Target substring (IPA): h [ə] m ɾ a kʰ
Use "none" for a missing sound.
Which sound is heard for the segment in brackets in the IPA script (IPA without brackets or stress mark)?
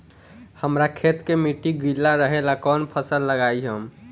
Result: ə